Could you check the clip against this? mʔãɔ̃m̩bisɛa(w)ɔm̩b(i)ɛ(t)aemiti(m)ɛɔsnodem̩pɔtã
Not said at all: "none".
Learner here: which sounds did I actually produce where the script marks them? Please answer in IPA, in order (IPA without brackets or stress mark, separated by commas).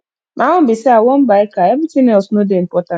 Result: w, a, k, n